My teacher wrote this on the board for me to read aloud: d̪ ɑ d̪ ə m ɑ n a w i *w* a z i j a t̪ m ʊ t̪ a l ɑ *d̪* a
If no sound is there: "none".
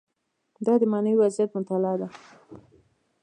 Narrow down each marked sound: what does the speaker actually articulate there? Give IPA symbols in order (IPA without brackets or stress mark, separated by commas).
w, d̪